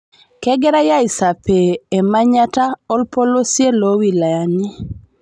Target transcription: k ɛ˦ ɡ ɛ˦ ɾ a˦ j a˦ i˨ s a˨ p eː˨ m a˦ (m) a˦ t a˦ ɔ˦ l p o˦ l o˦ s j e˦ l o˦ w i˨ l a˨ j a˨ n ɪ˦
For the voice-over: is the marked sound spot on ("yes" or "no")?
no